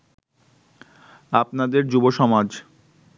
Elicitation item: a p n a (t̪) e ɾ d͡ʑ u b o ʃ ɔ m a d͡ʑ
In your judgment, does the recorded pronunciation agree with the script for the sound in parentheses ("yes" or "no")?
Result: no